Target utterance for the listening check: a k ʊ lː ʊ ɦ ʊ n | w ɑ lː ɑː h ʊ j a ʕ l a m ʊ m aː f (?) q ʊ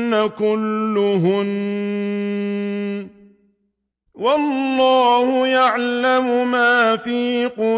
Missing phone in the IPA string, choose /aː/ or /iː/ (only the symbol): iː